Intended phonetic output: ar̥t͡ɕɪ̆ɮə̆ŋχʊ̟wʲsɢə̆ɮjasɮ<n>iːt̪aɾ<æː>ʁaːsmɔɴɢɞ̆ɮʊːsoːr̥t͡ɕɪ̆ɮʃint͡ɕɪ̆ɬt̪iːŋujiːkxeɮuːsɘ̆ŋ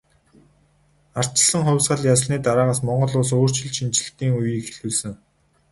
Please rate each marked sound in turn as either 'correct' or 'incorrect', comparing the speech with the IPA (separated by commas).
correct, incorrect